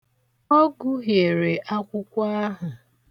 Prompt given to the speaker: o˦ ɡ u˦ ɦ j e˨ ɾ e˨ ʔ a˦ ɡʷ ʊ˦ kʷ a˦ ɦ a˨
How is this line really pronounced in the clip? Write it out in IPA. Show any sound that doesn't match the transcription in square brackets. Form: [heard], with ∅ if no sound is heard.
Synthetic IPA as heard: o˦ ɡ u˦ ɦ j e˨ ɾ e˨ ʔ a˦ [kʷ] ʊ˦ kʷ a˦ ɦ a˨